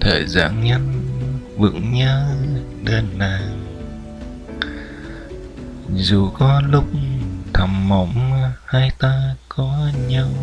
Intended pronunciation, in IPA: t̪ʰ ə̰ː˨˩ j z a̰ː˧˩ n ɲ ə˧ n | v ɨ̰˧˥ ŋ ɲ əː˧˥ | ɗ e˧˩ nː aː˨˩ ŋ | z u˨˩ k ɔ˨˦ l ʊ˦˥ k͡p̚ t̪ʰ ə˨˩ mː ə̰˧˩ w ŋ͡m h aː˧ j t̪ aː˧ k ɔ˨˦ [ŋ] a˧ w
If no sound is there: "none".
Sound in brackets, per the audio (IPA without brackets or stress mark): ɲ